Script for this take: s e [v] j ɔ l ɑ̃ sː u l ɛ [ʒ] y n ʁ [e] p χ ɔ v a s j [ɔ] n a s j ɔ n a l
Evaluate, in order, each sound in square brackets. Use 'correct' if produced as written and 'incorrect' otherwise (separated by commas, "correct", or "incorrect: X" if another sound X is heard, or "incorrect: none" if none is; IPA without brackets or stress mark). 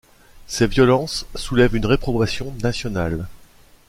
correct, incorrect: v, correct, incorrect: ɔ̃